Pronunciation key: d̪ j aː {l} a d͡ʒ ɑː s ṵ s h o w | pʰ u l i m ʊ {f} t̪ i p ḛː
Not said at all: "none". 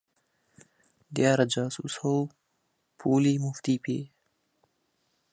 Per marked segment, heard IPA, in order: ɾ, f

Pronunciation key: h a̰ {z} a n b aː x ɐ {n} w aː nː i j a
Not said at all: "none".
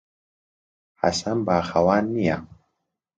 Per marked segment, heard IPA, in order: s, none

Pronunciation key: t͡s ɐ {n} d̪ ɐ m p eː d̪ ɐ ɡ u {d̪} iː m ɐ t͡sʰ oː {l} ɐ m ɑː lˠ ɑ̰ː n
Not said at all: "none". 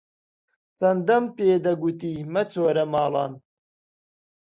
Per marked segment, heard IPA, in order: n, t̪, ɾ

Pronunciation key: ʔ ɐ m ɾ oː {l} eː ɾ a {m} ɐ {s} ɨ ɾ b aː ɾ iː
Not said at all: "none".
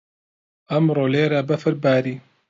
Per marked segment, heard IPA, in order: l, b, f

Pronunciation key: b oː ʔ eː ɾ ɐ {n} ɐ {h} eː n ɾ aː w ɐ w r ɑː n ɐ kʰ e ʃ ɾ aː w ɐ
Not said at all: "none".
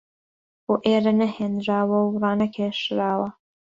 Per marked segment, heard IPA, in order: n, h

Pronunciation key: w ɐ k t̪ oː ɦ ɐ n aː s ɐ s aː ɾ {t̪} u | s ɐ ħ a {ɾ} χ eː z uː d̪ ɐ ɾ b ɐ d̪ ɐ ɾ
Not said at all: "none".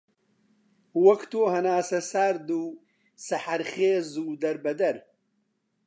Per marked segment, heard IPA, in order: d̪, ɾ

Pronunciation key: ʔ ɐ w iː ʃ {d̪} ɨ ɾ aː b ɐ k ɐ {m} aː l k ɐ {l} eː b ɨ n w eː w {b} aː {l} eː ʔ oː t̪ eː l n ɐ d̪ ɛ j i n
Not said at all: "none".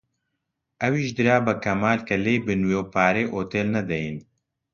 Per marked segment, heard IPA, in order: d̪, m, l, p, ɾ

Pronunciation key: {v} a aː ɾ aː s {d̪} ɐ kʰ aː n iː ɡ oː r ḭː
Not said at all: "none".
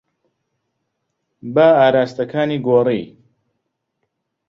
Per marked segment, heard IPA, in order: b, t̪

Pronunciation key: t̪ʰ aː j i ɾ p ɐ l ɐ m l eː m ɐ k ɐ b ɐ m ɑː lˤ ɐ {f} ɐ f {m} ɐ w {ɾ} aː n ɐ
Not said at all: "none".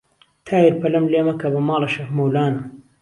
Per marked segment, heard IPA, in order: ʃ, m, l

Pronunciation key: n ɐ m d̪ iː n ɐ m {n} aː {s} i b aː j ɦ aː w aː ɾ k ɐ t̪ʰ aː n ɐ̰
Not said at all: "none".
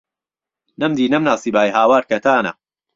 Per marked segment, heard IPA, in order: n, s

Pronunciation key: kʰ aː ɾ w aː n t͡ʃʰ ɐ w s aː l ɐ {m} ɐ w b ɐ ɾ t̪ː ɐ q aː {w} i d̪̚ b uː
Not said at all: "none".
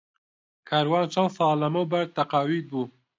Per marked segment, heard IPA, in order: m, w

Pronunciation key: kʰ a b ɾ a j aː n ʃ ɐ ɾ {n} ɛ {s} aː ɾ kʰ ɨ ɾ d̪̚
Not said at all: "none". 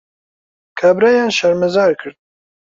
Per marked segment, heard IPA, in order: m, z

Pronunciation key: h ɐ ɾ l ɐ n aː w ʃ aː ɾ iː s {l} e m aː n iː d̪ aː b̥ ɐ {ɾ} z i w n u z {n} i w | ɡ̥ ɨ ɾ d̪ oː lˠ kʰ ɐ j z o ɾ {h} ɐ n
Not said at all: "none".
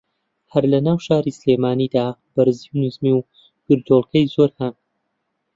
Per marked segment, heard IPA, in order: l, ɾ, m, h

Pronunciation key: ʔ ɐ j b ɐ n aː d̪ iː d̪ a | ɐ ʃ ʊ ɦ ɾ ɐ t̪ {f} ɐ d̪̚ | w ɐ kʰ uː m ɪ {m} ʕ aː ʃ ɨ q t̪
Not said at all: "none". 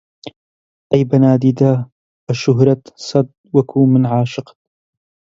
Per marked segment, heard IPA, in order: s, n

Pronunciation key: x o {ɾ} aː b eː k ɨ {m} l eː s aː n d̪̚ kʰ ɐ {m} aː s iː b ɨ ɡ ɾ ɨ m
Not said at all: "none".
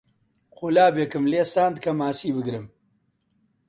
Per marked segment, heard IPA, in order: l, m, m

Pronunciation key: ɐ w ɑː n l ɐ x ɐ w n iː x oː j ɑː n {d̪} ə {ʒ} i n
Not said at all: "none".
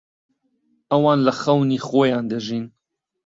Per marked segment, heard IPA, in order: d̪, ʒ

